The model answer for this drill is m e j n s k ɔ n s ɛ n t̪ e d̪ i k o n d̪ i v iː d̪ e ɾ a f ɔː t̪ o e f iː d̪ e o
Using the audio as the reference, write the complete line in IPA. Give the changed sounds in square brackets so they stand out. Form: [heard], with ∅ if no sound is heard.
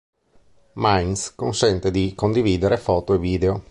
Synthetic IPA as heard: m [a] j n s k [o] n s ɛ n t̪ e d̪ i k o n d̪ i v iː d̪ e ɾ [e] f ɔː t̪ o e [v] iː d̪ e o